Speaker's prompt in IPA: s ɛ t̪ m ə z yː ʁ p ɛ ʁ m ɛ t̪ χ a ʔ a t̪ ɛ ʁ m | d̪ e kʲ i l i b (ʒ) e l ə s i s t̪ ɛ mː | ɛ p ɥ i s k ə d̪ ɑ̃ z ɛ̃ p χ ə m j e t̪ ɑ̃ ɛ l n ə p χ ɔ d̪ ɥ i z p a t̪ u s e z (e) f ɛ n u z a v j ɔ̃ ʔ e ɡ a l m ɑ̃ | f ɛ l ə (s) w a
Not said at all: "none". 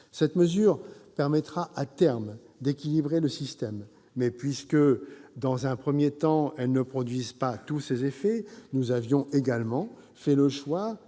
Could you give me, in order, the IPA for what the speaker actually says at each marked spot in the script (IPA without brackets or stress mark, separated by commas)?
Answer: ʁ, e, ʃ